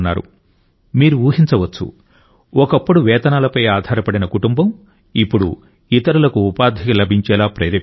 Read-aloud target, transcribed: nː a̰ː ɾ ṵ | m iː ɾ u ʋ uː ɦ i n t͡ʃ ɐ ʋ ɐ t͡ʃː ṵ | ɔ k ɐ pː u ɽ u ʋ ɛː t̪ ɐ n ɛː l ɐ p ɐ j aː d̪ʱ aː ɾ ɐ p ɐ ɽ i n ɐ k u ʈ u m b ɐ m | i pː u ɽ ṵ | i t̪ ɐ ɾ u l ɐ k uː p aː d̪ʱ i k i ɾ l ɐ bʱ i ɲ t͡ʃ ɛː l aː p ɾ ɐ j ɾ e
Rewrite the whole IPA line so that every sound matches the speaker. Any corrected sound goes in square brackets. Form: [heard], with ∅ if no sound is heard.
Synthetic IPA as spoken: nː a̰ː ɾ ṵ | m iː ɾ u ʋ uː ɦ i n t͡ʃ ɐ ʋ ɐ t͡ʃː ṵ | ɔ k ɐ pː u ɽ u ʋ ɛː t̪ ɐ n [aː] l ɐ p ɐ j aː d̪ʱ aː ɾ ɐ p ɐ ɽ i n ɐ k u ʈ u m b ɐ m | i pː u ɽ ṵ | i t̪ ɐ ɾ u l ɐ k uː p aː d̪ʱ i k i [∅] l ɐ bʱ i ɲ t͡ʃ ɛː l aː p ɾ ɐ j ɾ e

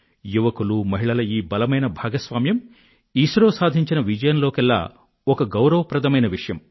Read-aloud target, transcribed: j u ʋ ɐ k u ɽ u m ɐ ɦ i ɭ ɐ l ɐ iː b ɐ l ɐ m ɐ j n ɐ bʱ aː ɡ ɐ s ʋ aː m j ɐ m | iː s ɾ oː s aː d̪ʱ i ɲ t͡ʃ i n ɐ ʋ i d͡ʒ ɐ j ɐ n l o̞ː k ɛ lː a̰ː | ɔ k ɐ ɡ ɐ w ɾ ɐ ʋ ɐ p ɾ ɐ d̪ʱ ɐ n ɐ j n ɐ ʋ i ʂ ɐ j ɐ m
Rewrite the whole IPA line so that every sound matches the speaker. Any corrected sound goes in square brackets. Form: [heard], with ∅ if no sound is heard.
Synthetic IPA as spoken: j u ʋ ɐ k u [l] u m ɐ ɦ i ɭ ɐ l ɐ iː b ɐ l ɐ m ɐ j n ɐ bʱ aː ɡ ɐ s ʋ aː m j ɐ m | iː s ɾ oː s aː d̪ʱ i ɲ t͡ʃ i n ɐ ʋ i d͡ʒ ɐ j ɐ n l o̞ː k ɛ lː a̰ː | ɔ k ɐ ɡ ɐ w ɾ ɐ ʋ ɐ p ɾ ɐ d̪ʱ ɐ [m] ɐ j n ɐ ʋ i ʂ ɐ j ɐ m

